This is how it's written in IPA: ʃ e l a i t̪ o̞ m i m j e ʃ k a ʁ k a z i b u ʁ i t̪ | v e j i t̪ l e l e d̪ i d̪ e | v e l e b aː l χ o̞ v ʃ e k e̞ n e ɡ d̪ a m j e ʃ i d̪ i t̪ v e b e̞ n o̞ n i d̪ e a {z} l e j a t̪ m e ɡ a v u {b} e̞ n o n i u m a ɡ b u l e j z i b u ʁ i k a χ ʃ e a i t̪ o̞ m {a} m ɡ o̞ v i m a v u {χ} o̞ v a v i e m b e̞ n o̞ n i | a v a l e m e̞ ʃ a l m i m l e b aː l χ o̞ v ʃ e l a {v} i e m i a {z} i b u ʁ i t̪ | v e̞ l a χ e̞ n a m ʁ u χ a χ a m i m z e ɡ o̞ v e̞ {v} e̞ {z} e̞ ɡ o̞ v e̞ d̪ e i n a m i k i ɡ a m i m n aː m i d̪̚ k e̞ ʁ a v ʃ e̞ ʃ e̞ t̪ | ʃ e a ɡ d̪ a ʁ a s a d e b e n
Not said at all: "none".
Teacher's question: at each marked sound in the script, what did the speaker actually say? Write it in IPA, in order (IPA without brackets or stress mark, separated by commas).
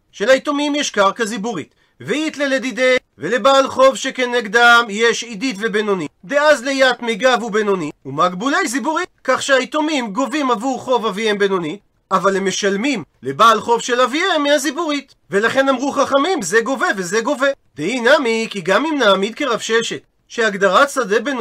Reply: z, b, i, χ, v, z, v, z